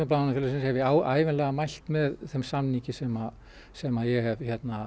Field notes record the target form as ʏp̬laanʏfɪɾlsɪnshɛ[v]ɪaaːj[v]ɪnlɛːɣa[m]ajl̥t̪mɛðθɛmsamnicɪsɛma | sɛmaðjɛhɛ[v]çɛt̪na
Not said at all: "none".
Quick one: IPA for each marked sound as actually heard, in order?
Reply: v, v, m, v

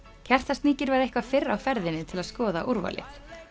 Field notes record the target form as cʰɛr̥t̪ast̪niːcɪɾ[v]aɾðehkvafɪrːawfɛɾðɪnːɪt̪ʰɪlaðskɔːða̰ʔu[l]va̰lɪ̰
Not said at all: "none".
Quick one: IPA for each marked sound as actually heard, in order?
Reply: v, ɾ

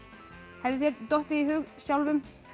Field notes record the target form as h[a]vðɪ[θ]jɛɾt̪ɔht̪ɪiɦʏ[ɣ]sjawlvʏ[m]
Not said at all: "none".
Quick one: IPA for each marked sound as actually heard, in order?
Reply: ɛ, θ, ɣ, m

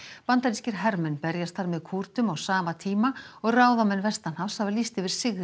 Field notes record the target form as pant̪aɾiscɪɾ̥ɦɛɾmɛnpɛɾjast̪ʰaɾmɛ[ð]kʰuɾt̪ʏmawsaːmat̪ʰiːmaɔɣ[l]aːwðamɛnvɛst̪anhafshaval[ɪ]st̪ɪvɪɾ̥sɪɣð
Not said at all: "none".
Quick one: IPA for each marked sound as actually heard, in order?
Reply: ð, r, i

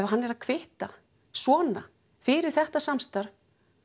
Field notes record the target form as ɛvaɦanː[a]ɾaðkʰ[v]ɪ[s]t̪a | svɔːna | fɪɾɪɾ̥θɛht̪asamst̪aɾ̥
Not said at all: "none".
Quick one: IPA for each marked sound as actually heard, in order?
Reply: ɛ, v, h

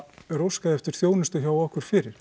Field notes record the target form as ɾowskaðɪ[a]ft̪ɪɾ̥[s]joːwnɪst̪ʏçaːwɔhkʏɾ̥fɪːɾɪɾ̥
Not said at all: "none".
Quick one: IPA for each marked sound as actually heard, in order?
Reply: ɛ, θ

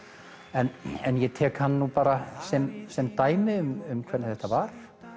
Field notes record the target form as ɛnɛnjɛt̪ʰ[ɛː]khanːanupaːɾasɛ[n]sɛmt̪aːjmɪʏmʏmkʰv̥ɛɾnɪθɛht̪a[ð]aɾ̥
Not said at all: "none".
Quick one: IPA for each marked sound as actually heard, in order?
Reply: ɛː, m, v

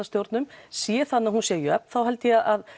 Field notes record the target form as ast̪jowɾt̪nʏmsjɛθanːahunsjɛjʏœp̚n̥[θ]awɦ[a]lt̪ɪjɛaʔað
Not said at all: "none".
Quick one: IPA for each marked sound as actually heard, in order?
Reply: θ, ɛ

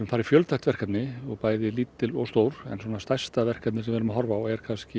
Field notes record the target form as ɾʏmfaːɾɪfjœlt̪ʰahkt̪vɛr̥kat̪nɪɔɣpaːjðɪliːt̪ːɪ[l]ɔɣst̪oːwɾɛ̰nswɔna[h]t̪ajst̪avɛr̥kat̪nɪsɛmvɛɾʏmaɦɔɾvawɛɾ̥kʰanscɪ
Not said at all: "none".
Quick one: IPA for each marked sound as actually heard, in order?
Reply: l, s

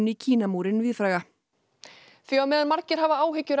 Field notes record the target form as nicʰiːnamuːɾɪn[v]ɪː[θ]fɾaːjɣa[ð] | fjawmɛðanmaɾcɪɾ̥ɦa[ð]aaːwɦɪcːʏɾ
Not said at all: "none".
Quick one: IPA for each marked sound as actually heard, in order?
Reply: v, ð, none, v

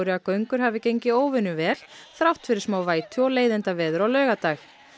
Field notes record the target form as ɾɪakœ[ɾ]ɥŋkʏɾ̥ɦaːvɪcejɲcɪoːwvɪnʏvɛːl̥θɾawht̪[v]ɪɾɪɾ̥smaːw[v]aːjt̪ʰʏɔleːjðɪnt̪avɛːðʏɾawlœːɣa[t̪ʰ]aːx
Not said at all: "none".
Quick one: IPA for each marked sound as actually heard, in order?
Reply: none, f, v, t̪

